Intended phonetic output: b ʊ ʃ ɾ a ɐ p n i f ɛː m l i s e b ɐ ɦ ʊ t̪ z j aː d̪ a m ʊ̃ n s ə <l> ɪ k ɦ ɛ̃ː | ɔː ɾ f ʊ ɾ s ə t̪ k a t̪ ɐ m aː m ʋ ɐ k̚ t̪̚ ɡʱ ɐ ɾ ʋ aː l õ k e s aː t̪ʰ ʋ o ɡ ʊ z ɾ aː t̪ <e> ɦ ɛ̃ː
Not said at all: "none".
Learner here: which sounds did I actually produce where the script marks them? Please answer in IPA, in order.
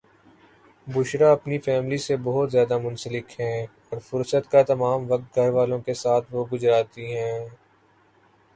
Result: l, i

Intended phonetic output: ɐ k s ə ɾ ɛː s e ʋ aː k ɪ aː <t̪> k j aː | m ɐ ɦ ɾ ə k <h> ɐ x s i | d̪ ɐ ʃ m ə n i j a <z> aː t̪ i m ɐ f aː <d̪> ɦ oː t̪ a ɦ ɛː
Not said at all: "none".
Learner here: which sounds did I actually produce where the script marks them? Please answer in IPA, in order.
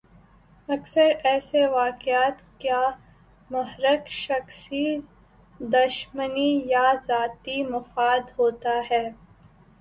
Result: t̪, ʃ, z, d̪

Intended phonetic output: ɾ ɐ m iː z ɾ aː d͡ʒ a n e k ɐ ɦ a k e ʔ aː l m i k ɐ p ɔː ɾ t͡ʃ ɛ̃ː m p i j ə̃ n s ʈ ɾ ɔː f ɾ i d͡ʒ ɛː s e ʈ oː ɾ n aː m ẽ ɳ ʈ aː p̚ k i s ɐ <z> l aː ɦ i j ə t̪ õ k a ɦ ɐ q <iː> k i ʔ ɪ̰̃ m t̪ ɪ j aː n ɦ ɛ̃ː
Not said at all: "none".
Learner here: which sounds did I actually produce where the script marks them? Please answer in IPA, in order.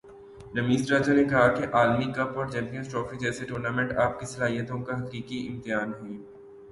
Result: none, iː

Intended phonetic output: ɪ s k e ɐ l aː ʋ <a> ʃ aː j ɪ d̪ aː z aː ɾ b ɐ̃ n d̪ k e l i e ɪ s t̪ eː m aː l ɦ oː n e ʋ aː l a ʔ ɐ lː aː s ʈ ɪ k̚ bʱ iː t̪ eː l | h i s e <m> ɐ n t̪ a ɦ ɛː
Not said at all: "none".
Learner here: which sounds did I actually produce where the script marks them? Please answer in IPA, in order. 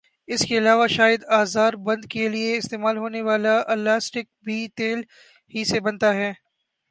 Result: a, b

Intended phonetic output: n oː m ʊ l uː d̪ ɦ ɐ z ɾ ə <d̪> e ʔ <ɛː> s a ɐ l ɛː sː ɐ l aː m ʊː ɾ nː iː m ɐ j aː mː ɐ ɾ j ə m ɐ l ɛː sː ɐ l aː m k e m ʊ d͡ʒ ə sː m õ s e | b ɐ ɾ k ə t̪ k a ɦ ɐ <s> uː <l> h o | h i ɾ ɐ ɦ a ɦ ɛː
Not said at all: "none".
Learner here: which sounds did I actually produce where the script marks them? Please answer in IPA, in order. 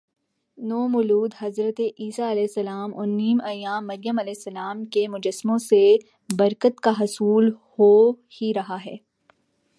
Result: t̪, iː, s, l

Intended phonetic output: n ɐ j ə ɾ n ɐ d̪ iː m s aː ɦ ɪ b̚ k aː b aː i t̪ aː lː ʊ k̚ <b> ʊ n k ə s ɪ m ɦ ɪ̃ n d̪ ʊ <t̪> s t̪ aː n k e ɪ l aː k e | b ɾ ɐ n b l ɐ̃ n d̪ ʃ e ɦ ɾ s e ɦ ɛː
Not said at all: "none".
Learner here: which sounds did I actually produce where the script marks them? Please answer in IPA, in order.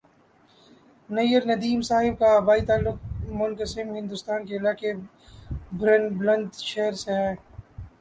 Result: m, none

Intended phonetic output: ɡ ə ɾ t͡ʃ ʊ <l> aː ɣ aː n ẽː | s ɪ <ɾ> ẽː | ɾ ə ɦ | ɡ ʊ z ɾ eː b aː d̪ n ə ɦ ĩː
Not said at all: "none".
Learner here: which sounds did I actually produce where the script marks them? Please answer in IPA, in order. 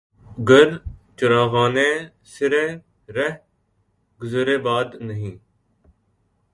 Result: ɾ, ɾ

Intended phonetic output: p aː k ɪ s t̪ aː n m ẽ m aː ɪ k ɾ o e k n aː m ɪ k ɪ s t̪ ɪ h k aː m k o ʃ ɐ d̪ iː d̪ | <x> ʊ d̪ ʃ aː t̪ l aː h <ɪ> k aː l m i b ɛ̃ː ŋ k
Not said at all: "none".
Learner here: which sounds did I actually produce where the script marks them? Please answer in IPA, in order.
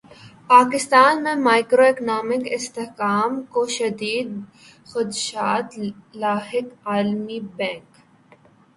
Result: x, ɪ

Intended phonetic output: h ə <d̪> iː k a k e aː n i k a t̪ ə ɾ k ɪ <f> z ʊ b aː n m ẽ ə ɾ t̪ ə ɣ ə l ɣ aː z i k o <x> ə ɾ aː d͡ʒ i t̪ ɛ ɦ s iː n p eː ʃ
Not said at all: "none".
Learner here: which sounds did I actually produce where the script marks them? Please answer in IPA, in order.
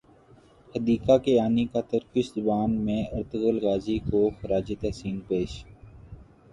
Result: d̪, ʃ, x

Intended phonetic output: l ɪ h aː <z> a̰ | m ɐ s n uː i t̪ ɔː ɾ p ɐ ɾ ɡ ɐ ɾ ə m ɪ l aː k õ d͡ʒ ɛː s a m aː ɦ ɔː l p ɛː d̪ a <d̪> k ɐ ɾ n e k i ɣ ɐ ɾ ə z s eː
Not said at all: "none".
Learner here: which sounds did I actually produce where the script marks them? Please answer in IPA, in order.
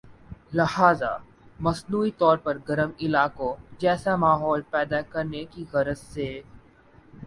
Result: z, none

